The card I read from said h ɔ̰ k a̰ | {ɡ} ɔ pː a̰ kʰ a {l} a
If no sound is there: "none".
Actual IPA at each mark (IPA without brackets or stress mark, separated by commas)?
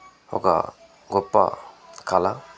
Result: ɡ, l